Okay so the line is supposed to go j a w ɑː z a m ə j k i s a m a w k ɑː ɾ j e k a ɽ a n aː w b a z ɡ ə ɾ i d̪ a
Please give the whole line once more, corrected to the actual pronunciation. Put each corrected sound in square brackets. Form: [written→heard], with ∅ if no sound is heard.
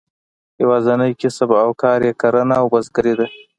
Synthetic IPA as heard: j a w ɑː z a [m→n] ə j k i s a [m→b] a w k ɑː ɾ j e k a [ɽ→ɾ] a n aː w b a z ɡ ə ɾ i d̪ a